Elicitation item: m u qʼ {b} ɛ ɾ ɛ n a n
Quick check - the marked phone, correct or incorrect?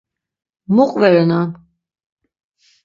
incorrect